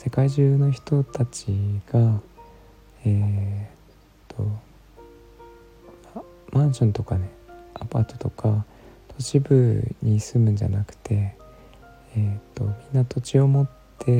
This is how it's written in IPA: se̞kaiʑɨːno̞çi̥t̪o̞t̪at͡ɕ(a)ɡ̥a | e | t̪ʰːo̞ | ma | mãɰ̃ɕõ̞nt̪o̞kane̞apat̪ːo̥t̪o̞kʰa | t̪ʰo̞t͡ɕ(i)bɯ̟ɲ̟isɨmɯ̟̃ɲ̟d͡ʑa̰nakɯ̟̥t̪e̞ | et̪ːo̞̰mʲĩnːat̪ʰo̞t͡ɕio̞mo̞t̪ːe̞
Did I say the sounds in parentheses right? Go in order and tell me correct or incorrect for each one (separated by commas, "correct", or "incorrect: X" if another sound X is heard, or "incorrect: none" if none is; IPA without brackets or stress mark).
incorrect: i, correct